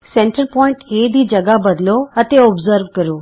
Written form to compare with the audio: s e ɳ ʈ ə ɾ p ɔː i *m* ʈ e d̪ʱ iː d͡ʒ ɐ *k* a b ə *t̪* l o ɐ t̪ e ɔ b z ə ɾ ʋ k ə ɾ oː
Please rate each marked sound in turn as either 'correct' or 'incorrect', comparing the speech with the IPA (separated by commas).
incorrect, incorrect, incorrect